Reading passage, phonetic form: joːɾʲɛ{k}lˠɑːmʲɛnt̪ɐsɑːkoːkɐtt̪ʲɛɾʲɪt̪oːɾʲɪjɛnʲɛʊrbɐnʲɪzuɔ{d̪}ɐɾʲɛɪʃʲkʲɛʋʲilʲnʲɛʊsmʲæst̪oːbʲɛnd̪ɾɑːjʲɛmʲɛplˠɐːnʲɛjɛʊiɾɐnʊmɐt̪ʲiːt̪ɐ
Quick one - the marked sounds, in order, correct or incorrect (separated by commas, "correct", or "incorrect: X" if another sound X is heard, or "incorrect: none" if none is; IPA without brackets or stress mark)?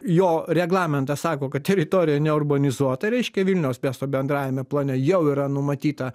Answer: incorrect: ɡ, incorrect: t̪